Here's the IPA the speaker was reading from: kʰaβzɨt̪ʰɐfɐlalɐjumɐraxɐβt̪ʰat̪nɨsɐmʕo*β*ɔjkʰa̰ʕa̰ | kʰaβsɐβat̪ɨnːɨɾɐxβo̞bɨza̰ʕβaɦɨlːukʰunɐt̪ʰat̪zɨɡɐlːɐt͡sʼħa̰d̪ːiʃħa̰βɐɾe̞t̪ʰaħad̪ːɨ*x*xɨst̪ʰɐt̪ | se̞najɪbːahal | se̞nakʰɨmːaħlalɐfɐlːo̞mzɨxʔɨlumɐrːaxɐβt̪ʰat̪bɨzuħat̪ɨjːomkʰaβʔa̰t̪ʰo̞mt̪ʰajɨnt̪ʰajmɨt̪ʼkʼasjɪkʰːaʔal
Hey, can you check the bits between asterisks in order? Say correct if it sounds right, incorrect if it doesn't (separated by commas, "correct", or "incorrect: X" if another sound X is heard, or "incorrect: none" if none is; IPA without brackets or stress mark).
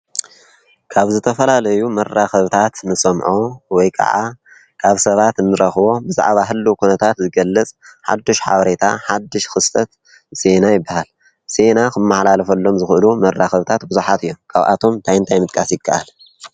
incorrect: w, incorrect: ʃ